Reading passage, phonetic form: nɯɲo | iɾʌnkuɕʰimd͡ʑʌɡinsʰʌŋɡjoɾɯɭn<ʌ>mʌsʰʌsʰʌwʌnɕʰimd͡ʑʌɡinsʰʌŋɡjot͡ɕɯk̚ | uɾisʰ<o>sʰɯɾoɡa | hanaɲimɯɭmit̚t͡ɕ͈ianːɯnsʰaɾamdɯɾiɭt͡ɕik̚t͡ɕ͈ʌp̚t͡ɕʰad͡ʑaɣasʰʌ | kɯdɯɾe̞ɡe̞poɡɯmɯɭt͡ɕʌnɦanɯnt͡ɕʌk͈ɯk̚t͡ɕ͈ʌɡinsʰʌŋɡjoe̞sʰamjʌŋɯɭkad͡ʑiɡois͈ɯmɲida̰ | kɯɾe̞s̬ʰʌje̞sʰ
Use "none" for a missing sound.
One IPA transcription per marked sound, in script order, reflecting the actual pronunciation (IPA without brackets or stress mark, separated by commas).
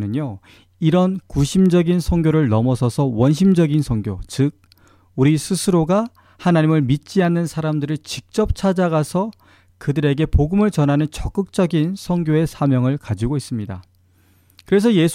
ʌ, u